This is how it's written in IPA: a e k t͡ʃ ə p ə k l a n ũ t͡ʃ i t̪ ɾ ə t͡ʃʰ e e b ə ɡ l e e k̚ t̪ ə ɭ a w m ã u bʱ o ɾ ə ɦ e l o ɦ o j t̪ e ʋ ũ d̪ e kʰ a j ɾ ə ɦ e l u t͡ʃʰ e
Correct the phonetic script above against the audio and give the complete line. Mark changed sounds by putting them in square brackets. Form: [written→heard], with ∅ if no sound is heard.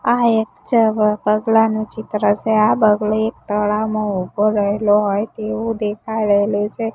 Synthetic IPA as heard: a e k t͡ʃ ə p ə [k→ɡ] l a n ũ t͡ʃ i t̪ ɾ ə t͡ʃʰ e [e→a] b ə ɡ l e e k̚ t̪ ə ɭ a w m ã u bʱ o ɾ ə ɦ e l o ɦ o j t̪ e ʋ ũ d̪ e kʰ a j ɾ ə ɦ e l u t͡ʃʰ e